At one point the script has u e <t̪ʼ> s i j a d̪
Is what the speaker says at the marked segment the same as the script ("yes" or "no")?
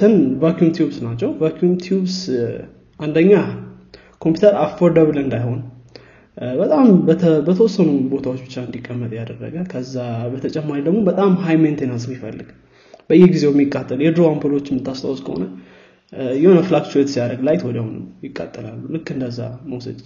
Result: no